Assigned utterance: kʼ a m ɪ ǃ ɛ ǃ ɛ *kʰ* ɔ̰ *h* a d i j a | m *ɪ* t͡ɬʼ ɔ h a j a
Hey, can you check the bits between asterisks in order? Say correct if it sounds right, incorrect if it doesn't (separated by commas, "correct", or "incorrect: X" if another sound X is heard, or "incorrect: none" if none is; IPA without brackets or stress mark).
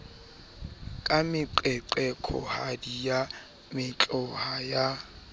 correct, correct, correct